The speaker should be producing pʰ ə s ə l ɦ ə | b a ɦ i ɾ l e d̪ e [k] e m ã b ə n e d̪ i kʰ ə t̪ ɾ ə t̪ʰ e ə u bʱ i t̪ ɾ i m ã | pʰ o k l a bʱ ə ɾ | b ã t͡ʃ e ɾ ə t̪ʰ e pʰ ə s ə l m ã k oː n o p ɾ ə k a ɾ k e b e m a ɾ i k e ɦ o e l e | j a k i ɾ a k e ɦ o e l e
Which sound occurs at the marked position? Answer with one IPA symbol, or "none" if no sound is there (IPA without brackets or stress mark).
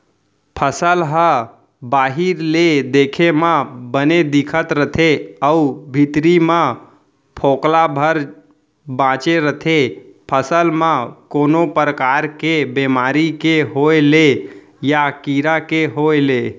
kʰ